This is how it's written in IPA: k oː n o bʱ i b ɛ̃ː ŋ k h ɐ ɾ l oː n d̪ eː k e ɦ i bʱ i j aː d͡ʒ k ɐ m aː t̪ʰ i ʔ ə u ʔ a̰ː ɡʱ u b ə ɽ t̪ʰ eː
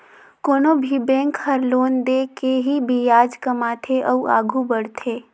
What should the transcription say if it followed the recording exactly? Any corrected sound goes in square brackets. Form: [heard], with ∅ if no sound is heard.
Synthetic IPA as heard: k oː n o bʱ i b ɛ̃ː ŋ k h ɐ ɾ l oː n d̪ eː k e ɦ i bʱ i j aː d͡ʒ k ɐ m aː t̪ʰ [e] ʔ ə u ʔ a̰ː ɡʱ u b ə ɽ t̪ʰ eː

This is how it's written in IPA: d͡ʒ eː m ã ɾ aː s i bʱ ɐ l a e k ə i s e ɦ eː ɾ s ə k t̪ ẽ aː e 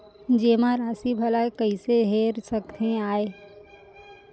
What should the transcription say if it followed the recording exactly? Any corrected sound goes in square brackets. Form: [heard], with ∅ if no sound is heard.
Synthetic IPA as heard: d͡ʒ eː m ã ɾ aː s i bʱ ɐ l a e k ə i s e ɦ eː ɾ s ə k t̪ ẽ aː e

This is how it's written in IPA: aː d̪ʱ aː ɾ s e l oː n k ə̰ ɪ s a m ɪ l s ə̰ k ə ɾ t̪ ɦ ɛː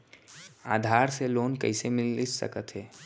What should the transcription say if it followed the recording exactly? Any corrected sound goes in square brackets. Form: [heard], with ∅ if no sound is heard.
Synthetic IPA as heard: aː d̪ʱ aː ɾ s e l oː n k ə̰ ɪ s [e] m ɪ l s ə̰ k ə [∅] t̪ ɦ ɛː

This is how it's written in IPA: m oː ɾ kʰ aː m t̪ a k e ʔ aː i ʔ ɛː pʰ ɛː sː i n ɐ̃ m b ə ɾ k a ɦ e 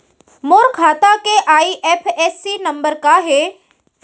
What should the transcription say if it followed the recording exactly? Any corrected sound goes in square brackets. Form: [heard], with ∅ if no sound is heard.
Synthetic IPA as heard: m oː ɾ kʰ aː [∅] t̪ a k e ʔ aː i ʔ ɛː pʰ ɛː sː i n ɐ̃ m b ə ɾ k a ɦ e

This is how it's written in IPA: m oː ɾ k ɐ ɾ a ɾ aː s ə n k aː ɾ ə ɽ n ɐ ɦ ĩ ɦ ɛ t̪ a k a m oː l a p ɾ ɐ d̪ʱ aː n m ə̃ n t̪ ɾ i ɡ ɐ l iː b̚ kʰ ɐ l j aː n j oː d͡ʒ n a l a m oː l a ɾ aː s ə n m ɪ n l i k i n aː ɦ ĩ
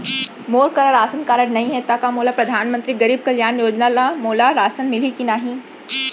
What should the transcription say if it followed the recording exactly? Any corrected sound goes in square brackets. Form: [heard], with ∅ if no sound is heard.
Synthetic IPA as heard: m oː ɾ k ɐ ɾ a ɾ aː s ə n k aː ɾ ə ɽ n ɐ ɦ ĩ ɦ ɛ t̪ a k a m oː l a p ɾ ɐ d̪ʱ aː n m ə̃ n t̪ ɾ i ɡ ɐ [ɾ] iː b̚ [k] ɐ l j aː n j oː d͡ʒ n a l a m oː l a ɾ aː s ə n m ɪ [∅] l i k i n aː ɦ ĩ

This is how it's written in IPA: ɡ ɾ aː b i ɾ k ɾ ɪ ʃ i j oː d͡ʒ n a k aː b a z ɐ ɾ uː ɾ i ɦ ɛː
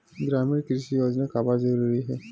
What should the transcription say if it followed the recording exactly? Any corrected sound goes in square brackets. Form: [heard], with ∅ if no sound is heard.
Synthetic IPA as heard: ɡ ɾ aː [m] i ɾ k ɾ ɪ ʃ i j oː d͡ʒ n a k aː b a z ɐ ɾ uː ɾ i ɦ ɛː

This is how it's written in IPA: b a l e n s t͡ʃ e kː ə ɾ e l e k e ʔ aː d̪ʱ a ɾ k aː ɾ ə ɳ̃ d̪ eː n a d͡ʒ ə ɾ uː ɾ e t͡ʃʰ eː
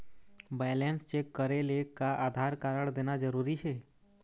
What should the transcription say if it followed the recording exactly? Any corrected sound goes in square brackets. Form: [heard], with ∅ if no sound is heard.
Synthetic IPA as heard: b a l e n s t͡ʃ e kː ə ɾ e l e k [a] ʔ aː d̪ʱ a ɾ k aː ɾ ə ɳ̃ d̪ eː n a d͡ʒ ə ɾ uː ɾ [i] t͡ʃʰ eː

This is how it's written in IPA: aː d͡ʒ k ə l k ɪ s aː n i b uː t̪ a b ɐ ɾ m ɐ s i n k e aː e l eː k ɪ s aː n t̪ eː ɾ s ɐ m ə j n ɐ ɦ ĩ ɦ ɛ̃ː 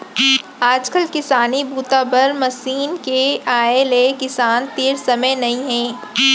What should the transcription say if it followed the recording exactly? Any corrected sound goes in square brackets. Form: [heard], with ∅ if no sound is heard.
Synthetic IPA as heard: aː d͡ʒ k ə l k ɪ s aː n i b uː t̪ a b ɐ ɾ m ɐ s [iː] n k e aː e l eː k ɪ s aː n t̪ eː ɾ s ɐ m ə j n ɐ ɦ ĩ ɦ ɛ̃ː

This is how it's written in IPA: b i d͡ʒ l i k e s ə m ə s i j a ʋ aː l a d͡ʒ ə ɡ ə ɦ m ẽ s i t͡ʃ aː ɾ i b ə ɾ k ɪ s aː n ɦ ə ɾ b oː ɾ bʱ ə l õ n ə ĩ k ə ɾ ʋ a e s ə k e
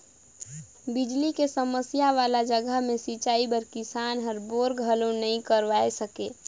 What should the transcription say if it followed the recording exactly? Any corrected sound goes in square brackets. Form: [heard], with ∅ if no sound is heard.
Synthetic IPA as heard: b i d͡ʒ l i k e s ə m ə s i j a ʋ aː l a d͡ʒ ə ɡ ə ɦ m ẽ s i t͡ʃ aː [∅] i b ə ɾ k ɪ s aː n ɦ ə ɾ b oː ɾ [ɡʱ] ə l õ n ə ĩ k ə ɾ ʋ a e s ə k e

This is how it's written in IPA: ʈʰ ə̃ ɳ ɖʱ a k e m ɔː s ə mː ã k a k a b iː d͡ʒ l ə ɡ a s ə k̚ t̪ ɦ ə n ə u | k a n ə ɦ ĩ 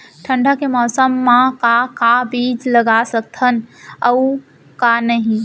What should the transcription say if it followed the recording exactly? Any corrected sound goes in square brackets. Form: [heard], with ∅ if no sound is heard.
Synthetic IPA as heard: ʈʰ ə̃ ɳ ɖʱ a k e m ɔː s ə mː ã k a k a b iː d͡ʒ l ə ɡ a s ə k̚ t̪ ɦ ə n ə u | k a n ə ɦ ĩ

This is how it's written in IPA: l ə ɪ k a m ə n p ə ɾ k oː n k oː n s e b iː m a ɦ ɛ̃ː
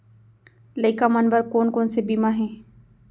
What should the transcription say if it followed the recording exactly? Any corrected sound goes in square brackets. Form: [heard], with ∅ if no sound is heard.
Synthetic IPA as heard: l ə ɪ k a m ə n [b] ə ɾ k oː n k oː n s e b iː m a ɦ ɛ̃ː

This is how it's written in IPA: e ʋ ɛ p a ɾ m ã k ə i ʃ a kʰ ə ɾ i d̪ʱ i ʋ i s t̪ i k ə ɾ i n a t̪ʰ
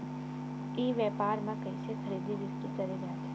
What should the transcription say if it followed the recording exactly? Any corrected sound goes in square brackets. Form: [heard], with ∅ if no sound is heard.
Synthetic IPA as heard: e ʋ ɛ p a ɾ m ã k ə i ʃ [e] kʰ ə ɾ i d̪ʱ i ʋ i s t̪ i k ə ɾ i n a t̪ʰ

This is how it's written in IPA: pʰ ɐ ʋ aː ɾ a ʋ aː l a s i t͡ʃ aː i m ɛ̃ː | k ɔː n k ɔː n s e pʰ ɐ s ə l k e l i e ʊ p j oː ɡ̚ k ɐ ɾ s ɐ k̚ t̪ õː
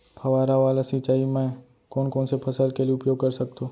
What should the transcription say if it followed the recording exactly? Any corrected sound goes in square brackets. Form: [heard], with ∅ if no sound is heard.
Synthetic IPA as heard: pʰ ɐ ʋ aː ɾ a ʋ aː l a s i t͡ʃ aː i m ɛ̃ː | k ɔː n k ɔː n s e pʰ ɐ s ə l k e l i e ʊ p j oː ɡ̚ k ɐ ɾ s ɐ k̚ t̪ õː

